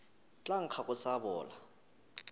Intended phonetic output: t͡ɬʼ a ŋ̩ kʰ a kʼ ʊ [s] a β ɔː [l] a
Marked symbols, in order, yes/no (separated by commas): yes, yes